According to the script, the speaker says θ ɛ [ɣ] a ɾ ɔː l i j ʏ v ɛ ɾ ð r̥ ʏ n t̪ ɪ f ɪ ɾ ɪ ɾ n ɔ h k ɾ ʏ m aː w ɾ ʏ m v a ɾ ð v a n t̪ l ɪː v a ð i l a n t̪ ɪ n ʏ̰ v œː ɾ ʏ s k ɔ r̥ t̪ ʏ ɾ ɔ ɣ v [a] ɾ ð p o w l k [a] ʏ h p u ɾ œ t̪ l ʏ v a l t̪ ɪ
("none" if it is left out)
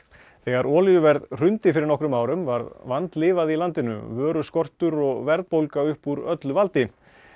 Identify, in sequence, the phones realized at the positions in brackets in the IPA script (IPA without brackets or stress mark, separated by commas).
ɣ, ɛ, a